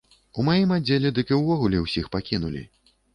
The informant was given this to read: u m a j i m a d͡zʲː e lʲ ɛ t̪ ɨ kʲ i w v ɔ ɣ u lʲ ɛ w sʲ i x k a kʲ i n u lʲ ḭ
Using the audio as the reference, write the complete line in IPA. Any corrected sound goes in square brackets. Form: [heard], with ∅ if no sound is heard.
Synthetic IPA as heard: u m a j i m a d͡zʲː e lʲ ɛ [d̪] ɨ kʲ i w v ɔ ɣ u lʲ ɛ w sʲ i x [p] a kʲ i n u lʲ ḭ